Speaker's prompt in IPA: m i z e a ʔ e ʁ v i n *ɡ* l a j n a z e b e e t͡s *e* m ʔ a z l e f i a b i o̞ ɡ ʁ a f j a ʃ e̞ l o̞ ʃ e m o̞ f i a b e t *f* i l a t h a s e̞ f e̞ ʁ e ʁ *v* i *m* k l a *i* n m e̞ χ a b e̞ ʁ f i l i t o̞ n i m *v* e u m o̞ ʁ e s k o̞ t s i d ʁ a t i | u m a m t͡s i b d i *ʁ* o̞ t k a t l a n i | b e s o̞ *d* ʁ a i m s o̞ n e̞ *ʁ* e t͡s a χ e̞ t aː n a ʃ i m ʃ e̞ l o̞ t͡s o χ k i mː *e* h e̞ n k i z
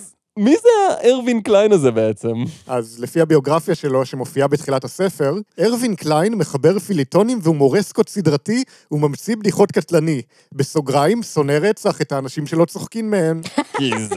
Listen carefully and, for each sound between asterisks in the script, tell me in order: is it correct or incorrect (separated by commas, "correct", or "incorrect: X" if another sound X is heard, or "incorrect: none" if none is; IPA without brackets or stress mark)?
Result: incorrect: k, correct, incorrect: χ, correct, incorrect: n, incorrect: j, correct, incorrect: χ, incorrect: ɡ, correct, correct